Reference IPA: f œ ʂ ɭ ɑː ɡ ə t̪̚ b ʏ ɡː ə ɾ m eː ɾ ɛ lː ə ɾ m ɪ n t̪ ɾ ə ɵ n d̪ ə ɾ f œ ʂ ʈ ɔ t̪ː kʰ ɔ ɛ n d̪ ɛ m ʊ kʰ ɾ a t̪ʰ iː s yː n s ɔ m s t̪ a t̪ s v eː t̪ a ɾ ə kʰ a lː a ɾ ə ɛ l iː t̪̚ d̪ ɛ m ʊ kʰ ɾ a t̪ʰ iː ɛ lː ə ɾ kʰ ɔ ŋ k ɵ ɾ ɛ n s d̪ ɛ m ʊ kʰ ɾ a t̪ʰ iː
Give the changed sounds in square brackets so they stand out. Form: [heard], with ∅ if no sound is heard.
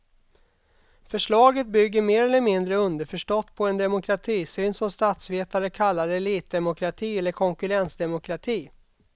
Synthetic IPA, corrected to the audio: f œ ʂ ɭ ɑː ɡ ə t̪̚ b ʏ ɡː ə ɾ m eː ɾ ɛ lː ə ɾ m ɪ n [d̪] ɾ ə ɵ n d̪ ə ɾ f œ ʂ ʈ ɔ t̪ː [pʰ] ɔ ɛ n d̪ ɛ m ʊ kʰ ɾ a t̪ʰ iː s yː n s ɔ m s t̪ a t̪ s v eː t̪ a ɾ ə kʰ a lː a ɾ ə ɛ l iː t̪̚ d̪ ɛ m ʊ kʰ ɾ a t̪ʰ iː ɛ lː ə ɾ kʰ ɔ ŋ k ɵ ɾ ɛ n s d̪ ɛ m ʊ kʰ ɾ a t̪ʰ iː